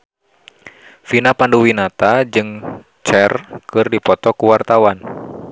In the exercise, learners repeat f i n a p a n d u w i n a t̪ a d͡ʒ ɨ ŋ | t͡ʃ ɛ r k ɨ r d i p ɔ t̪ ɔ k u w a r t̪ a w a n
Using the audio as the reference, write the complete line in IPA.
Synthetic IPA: f i n a p a n d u w i n a t̪ a d͡ʒ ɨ ŋ | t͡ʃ ɛ r k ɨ r d i p ɔ t̪ ɔ k u w a r t̪ a w a n

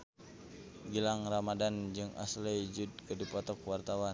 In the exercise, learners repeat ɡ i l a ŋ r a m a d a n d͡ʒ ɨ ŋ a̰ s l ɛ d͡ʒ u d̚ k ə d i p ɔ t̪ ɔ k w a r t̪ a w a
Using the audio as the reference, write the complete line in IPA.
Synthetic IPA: ɡ i l a ŋ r a m a d a n d͡ʒ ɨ ŋ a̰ s l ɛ d͡ʒ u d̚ k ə d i p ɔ t̪ ɔ k w a r t̪ a w a

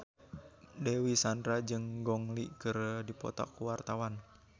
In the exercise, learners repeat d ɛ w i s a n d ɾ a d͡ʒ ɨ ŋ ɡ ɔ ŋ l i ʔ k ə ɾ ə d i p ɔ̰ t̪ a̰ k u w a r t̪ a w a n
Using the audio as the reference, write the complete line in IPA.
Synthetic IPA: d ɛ w i s a n d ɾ a d͡ʒ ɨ ŋ ɡ ɔ ŋ l i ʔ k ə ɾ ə d i p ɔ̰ t̪ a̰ k u w a r t̪ a w a n

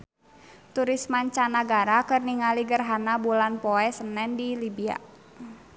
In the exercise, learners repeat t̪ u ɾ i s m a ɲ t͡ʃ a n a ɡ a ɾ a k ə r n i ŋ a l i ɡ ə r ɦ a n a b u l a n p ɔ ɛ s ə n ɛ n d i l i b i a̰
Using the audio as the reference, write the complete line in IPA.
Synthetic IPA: t̪ u ɾ i s m a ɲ t͡ʃ a n a ɡ a ɾ a k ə r n i ŋ a l i ɡ ə r ɦ a n a b u l a n p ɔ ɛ s ə n ɛ n d i l i b i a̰

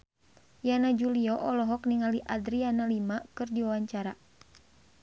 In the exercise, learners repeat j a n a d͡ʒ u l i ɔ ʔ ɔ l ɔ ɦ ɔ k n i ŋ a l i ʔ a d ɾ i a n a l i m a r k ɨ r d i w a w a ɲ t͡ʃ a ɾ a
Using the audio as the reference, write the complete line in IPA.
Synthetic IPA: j a n a d͡ʒ u l i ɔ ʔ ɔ l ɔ ɦ ɔ k n i ŋ a l i ʔ a d ɾ i a n a l i m a k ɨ r d i w a w a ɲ t͡ʃ a ɾ a

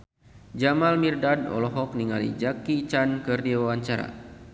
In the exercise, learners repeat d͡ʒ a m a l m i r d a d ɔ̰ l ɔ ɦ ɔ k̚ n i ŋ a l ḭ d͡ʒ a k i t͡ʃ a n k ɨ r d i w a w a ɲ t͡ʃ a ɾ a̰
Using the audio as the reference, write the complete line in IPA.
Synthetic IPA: d͡ʒ a m a l m i r d a d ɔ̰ l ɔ ɦ ɔ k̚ n i ŋ a l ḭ d͡ʒ a k i t͡ʃ a n k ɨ r d i w a w a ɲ t͡ʃ a ɾ a̰

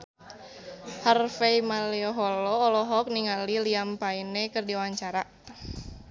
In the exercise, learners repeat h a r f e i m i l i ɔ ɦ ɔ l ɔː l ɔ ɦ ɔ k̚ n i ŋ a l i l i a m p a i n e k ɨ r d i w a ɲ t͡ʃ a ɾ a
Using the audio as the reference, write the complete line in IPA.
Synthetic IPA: h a r f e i m a l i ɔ ɦ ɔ l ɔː l ɔ ɦ ɔ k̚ n i ŋ a l i l i a m p a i n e k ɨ r d i w a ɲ t͡ʃ a ɾ a

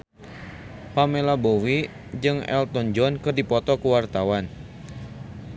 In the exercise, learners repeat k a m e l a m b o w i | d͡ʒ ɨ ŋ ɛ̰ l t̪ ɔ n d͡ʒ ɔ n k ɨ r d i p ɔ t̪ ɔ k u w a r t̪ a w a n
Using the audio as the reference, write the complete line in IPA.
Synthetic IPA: p a m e l a b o w i | d͡ʒ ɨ ŋ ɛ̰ l t̪ ɔ n d͡ʒ ɔ n k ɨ r d i p ɔ t̪ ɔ k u w a r t̪ a w a n

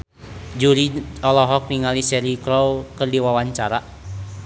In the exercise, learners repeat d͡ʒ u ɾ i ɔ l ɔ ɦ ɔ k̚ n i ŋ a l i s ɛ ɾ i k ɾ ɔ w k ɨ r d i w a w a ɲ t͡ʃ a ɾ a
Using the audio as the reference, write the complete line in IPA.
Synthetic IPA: d͡ʒ u ɾ i ɔ l ɔ ɦ ɔ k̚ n i ŋ a l i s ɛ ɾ i k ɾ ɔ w k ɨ r d i w a w a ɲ t͡ʃ a ɾ a

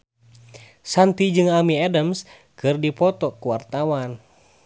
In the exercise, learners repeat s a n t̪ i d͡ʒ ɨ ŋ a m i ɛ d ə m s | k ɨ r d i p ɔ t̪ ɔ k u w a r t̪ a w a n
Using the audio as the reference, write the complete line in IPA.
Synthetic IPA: s a n t̪ i d͡ʒ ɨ ŋ a m i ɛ d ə m s | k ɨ r d i p ɔ t̪ ɔ k u w a r t̪ a w a n

